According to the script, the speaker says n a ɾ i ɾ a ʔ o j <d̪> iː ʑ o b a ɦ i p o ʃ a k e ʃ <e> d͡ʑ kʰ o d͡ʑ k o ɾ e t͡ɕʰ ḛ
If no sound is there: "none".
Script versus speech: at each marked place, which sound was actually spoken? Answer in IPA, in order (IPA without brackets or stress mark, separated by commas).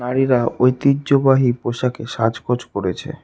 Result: t̪, a